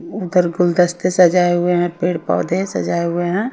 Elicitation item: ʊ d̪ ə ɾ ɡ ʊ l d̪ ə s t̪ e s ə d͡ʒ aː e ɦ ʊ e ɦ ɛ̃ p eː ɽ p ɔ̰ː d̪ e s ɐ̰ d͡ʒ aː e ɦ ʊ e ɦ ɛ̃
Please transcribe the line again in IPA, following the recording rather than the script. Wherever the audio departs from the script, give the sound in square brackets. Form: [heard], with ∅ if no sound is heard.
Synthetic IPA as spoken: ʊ d̪ ə ɾ ɡ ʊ l d̪ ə s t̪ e s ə d͡ʒ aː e ɦ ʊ e ɦ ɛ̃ p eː ɽ p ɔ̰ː d̪ e s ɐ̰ d͡ʒ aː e ɦ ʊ e ɦ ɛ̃